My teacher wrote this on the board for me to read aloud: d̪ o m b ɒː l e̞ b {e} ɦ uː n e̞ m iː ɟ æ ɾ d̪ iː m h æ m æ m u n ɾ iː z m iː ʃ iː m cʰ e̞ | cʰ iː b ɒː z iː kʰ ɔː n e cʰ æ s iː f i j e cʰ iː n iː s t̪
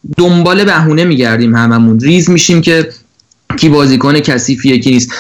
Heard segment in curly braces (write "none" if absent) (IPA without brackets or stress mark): æ